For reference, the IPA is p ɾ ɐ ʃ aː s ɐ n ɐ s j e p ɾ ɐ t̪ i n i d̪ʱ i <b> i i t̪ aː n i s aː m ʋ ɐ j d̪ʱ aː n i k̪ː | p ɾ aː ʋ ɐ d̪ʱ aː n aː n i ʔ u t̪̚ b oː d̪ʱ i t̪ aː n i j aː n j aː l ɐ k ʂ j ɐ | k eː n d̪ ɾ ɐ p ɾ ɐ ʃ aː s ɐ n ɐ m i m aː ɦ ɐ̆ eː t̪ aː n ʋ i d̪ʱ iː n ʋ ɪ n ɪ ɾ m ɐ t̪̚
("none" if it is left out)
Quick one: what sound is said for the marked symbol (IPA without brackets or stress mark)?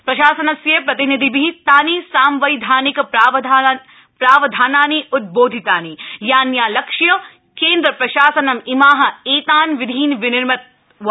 b